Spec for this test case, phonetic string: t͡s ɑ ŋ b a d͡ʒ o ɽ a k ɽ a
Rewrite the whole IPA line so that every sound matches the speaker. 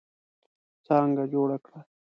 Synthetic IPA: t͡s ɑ ŋ ɡ a d͡ʒ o ɽ a k ɽ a